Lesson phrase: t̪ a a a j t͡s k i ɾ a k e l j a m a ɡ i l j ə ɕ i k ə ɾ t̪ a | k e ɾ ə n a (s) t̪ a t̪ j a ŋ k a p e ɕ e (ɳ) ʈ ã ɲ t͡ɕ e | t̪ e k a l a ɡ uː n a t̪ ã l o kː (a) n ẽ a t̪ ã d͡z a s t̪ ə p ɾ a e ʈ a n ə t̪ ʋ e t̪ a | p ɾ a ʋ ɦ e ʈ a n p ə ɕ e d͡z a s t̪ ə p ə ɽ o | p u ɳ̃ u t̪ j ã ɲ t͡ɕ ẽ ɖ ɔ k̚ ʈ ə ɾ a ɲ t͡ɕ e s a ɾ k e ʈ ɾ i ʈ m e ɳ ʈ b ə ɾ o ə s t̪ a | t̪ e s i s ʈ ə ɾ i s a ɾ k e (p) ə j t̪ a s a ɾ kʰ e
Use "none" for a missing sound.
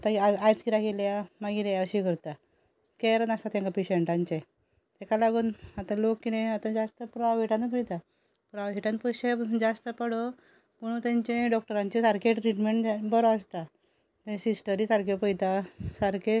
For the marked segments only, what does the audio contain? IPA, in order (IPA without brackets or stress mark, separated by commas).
s, ɳ, i, p